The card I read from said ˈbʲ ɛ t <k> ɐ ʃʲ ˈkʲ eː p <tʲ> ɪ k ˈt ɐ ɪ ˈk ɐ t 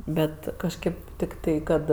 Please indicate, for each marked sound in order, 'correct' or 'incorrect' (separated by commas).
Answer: correct, correct